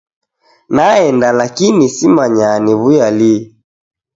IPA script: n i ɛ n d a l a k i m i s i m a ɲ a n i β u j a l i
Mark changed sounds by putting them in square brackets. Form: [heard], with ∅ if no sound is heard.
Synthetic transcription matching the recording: n [a] ɛ n d a l a k i [n] i s i m a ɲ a n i β u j a l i